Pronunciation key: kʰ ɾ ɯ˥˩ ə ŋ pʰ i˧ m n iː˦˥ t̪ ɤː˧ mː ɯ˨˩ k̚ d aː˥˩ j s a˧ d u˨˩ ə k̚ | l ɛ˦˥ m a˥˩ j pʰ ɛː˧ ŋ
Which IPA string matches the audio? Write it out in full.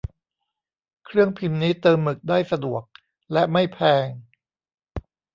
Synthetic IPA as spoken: kʰ ɾ ɯ˥˩ ə ŋ pʰ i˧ m n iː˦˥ t̪ ɤː˧ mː ɯ˨˩ k̚ d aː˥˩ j s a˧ d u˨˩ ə k̚ | l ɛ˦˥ m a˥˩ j pʰ ɛː˧ ŋ